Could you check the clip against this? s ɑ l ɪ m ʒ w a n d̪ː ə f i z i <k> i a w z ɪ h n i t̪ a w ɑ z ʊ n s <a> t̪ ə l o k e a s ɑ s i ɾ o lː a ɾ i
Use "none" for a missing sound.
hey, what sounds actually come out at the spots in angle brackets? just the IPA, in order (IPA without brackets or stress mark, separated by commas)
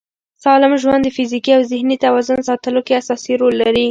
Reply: k, ɑ